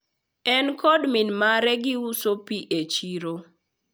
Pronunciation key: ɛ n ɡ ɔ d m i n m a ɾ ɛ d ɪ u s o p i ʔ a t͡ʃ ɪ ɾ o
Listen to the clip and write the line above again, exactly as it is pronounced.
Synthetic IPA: ɛ n k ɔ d m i n m a ɾ ɛ ɡ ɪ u s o p i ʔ e t͡ʃ i ɾ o

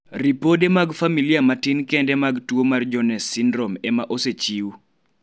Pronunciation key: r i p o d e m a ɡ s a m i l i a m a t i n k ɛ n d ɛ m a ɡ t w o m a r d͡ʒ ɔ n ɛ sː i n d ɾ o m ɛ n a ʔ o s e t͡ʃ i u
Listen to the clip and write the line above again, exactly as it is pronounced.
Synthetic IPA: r i p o d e m a ɡ f a m i l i a m a t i n k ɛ n d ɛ m a ɡ t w o m a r d͡ʒ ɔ n ɛ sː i n d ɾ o m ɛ m a ʔ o s e t͡ʃ i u

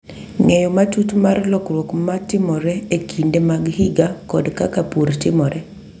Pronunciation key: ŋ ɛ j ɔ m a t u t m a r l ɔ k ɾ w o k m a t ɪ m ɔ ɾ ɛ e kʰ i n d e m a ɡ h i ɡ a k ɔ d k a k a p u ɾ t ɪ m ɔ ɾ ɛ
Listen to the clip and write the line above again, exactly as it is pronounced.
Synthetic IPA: ŋ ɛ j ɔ m a t u t m a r l ɔ k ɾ w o k m a t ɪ m ɔ ɾ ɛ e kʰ i n d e m a ɡ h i ɡ a k ɔ d k a k a p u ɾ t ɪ m ɔ ɾ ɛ

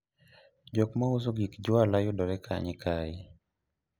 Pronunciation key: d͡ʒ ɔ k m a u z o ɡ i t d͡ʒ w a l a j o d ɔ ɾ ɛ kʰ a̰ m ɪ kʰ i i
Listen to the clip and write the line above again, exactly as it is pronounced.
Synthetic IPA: d͡ʒ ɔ k m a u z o ɡ i k d͡ʒ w a l a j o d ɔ ɾ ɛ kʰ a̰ ɲ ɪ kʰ a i

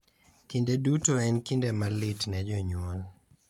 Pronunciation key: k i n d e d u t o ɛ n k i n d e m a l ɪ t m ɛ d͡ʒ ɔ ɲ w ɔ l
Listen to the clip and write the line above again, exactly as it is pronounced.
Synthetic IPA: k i n d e d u t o ɛ n k i n d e m a l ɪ t n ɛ d͡ʒ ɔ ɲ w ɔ l

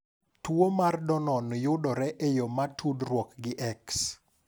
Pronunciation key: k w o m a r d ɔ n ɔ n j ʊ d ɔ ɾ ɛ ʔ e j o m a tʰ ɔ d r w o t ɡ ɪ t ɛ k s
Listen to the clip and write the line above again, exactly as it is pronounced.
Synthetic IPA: t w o m a r d ɔ n ɔ n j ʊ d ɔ ɾ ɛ ʔ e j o m a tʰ u d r w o k ɡ ɪ ʔ ɛ k s

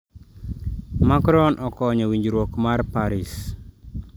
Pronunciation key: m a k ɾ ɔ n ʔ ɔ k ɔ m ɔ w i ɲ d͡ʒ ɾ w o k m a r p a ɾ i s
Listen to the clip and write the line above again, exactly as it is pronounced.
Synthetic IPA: m a k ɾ ɔ n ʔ ɔ k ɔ ɲ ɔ w i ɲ d͡ʒ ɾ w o k m a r p a ɾ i s

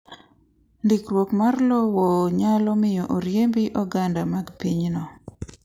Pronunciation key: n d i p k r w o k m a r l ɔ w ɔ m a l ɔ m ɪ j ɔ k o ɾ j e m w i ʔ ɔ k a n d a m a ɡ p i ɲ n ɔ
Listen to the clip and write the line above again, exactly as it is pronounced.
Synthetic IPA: n d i k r w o k m a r l ɔ w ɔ ɲ a l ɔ m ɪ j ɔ ʔ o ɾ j e m b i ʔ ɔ ɡ a n d a m a ɡ p i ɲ n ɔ

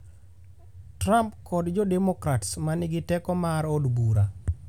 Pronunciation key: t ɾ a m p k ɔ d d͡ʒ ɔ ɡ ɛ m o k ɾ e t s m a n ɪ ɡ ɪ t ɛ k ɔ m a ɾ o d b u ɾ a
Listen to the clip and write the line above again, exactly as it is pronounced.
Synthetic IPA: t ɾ a m p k ɔ d d͡ʒ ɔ d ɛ m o k ɾ a t s m a n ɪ ɡ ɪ t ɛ k ɔ m a ɾ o d b u ɾ a

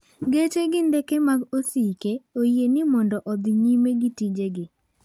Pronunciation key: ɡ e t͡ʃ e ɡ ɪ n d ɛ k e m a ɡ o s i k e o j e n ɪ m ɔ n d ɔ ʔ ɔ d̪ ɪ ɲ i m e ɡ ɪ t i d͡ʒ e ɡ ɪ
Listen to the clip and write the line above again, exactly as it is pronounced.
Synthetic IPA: ɡ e t͡ʃ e ɡ ɪ n d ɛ k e m a ɡ o s i k e o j e n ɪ m ɔ n d ɔ ʔ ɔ d̪ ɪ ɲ i m e ɡ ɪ t i d͡ʒ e ɡ ɪ

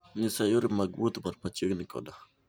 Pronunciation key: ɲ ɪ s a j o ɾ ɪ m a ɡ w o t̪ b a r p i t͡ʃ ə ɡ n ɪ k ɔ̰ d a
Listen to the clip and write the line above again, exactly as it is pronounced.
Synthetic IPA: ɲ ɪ s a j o ɾ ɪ m a ɡ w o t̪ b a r p a t͡ʃ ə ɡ n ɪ k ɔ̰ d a

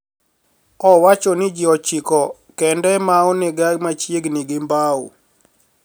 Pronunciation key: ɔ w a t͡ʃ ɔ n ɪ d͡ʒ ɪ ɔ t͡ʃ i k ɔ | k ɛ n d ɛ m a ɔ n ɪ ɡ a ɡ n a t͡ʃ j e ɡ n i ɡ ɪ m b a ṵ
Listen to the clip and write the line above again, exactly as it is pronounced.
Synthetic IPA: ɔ w a t͡ʃ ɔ n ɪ d͡ʒ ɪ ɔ t͡ʃ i k ɔ | k ɛ n d ɛ m a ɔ n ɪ ɡ a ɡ m a t͡ʃ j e ɡ n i ɡ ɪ m b a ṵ

